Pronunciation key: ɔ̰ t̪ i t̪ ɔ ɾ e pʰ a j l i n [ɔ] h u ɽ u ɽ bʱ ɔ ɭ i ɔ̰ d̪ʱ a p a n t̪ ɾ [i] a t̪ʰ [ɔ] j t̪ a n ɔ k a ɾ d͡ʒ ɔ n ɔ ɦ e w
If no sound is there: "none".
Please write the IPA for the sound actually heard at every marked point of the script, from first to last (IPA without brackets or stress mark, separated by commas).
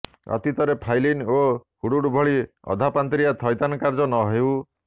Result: o, i, ɔ